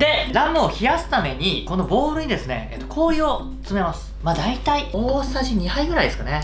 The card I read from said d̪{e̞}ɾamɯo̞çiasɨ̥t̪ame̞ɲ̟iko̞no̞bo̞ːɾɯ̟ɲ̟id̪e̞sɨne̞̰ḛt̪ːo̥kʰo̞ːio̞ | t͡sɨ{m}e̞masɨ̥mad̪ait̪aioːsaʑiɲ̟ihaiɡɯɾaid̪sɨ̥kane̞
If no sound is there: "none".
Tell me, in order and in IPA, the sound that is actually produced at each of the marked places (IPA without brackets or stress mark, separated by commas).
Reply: e̞, m